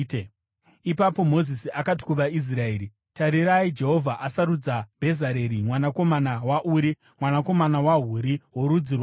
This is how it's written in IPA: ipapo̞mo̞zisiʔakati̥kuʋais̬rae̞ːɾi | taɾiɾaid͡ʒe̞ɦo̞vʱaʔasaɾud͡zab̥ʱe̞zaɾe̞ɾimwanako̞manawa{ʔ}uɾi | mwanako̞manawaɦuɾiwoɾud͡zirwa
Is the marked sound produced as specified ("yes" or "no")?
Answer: yes